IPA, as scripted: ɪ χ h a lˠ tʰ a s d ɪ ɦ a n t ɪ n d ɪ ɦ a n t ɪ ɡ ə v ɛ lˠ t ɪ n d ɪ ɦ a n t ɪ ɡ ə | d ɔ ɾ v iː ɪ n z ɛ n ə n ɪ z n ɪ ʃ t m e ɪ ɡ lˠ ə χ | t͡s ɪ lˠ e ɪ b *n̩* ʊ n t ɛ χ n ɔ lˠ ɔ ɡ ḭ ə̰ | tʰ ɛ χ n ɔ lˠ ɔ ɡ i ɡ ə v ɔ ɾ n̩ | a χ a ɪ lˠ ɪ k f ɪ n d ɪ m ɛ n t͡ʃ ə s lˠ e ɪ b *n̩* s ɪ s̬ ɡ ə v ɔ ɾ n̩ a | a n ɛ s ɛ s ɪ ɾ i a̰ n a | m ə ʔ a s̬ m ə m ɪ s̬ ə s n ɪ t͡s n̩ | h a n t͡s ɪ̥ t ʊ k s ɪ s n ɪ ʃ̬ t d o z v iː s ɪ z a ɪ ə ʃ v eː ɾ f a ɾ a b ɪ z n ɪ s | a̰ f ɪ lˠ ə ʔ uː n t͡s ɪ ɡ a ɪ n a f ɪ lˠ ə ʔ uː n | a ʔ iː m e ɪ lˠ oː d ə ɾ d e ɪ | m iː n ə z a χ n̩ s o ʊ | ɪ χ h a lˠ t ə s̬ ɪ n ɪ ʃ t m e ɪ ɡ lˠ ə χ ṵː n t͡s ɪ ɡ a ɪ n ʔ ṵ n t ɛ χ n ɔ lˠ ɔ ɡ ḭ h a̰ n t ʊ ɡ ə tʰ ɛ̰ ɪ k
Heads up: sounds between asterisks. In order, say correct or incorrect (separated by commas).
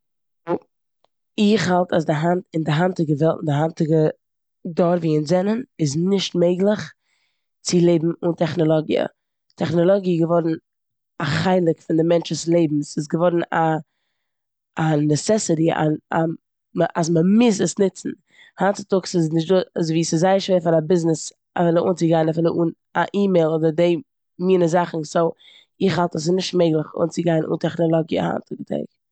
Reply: incorrect, incorrect